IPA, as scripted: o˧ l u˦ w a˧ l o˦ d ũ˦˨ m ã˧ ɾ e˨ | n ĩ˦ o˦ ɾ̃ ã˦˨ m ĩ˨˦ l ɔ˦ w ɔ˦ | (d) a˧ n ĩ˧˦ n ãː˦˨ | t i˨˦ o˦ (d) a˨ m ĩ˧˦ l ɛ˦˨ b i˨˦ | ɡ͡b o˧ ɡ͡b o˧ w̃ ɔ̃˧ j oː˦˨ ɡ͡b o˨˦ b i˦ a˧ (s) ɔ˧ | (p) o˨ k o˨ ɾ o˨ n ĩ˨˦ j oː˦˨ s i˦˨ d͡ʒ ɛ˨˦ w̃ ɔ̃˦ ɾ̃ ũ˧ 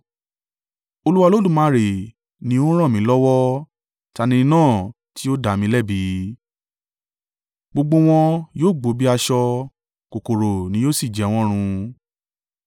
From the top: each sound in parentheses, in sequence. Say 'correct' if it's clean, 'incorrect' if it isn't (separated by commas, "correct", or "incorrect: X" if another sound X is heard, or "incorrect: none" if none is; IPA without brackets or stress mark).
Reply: incorrect: t, correct, incorrect: ʃ, incorrect: k